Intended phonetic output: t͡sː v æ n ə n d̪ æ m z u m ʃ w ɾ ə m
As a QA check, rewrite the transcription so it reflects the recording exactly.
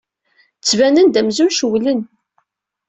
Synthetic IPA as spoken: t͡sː v æ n ə n d̪ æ m z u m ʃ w l ə n